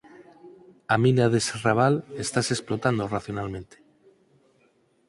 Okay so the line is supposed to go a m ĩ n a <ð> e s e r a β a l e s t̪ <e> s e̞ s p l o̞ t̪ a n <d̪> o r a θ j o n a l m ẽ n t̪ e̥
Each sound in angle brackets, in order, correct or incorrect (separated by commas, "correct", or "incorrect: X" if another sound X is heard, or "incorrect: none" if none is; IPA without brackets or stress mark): correct, incorrect: a, correct